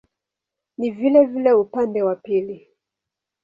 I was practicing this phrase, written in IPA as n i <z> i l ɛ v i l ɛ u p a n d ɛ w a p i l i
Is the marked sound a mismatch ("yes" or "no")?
yes